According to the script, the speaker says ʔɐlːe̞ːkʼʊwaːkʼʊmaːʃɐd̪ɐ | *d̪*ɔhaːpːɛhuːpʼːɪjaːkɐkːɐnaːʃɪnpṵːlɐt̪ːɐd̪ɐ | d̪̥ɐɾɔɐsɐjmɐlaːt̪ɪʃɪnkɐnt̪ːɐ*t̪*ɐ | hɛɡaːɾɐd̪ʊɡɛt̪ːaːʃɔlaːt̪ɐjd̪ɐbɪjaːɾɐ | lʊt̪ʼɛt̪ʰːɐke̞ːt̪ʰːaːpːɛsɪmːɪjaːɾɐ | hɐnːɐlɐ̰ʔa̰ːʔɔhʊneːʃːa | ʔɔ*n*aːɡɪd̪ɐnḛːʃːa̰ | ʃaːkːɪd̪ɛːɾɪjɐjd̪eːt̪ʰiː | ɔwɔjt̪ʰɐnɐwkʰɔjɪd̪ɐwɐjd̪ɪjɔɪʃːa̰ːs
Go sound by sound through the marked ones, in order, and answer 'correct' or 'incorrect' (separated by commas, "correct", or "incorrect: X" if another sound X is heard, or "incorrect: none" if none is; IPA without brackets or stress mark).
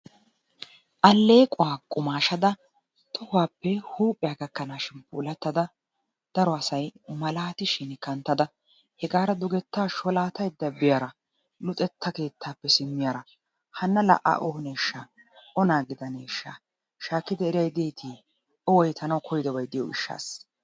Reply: incorrect: t̪, incorrect: d̪, correct